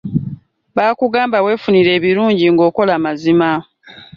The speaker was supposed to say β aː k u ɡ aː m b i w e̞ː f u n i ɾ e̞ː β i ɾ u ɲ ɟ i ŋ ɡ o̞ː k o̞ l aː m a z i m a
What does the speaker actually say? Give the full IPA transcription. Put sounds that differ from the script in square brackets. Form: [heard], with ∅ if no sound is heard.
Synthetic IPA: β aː k u ɡ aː m b [a] w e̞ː f u n i ɾ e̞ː β i ɾ [uː] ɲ ɟ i ŋ ɡ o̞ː k o̞ l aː m a z i m a

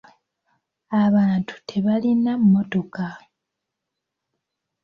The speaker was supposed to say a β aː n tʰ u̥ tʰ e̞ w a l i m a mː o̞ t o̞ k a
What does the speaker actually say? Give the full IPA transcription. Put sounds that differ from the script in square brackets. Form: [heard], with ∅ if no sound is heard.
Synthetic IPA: a β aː n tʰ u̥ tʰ e̞ [β] a l i [n] a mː o̞ t o̞ k a

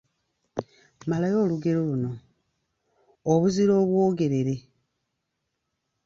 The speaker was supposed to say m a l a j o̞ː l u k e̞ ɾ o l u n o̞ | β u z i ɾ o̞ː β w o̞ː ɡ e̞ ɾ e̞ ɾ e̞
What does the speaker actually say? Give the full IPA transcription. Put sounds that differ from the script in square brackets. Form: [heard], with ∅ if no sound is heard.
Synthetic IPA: m a l a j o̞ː l u [ɡ] e̞ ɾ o l u n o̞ | β u z i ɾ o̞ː β w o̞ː ɡ e̞ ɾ e̞ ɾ e̞

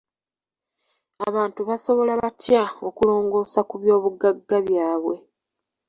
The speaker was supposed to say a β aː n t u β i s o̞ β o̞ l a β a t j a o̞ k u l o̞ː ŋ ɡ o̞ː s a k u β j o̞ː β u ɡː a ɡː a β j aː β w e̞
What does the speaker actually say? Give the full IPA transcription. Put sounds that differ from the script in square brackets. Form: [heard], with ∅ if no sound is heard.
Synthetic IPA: a β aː n t u β [a] s o̞ β o̞ l a β a t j a o̞ k u l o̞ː ŋ ɡ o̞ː s a k u β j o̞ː β u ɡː a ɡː a β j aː β w e̞

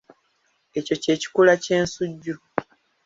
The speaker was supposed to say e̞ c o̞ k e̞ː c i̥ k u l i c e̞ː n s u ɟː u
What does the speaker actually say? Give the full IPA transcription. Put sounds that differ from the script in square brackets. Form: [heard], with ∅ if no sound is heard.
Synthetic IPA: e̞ c o̞ [c] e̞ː c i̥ k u l [a] c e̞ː n s u ɟː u

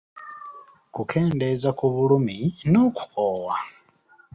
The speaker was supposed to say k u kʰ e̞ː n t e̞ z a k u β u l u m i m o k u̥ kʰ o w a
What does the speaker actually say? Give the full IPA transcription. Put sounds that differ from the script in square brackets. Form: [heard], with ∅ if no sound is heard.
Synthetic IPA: k u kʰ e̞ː n [d] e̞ z a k u β u l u m i [n] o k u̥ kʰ o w a

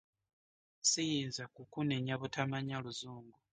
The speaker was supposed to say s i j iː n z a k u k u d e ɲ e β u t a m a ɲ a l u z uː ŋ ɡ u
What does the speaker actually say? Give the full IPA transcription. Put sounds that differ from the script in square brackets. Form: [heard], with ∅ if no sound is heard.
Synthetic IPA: s i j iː n z a k u k u [n] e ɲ [a] β u t a m a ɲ a l u z uː ŋ ɡ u

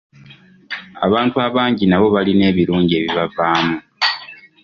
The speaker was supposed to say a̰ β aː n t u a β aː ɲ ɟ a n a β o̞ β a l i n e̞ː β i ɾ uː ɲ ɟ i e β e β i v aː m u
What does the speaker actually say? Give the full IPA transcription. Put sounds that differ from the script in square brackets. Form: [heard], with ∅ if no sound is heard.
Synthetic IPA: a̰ β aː n t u a β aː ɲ ɟ [i] n a β o̞ β a l i n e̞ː β i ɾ uː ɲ ɟ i e β [i] β [a] v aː m u

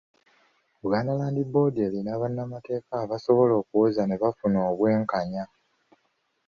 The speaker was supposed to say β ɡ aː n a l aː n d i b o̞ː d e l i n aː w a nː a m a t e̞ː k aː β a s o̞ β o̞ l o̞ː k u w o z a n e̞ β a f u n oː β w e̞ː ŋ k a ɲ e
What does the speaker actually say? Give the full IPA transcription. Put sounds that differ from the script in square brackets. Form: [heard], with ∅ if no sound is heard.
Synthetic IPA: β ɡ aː n a l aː n d i b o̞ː d e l i n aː [β] a nː a m a t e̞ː k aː β a s o̞ β o̞ l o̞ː k u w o z a n e̞ β a f u n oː β w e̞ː ŋ k a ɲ [a]

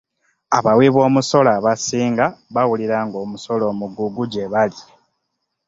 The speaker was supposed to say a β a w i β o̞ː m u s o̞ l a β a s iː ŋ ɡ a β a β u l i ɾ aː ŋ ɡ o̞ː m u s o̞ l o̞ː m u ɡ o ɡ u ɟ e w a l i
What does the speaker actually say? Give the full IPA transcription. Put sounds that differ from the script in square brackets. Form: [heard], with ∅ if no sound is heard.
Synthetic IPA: a β a w i β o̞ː m u s o̞ l a β a s iː ŋ ɡ a β a [w] u l i ɾ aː ŋ ɡ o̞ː m u s o̞ l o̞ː m u ɡ [u] ɡ u ɟ e [β] a l i

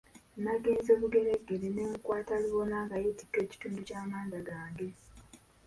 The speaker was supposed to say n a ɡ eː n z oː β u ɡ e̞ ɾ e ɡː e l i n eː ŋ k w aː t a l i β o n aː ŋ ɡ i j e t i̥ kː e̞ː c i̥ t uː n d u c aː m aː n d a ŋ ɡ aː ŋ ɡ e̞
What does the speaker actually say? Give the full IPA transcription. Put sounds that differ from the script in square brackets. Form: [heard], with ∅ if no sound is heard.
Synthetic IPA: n a ɡ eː n z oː β u ɡ e̞ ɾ e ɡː e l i n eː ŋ k w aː t a l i β o n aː ŋ ɡ [a] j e t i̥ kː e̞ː c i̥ t uː n d u c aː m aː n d a [∅] ɡ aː ŋ ɡ e̞

